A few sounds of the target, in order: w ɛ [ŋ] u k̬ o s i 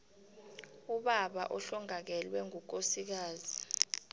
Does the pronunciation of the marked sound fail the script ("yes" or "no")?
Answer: no